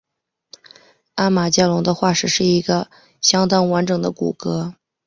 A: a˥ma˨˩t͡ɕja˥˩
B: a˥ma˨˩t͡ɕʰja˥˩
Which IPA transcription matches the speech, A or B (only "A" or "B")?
A